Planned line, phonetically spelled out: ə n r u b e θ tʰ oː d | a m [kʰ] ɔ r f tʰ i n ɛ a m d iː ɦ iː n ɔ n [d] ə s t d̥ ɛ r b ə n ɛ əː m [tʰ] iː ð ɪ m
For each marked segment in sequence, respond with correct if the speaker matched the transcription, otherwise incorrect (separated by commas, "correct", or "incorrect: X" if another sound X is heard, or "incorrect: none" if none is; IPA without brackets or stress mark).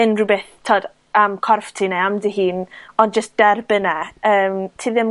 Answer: correct, incorrect: d͡ʒ, correct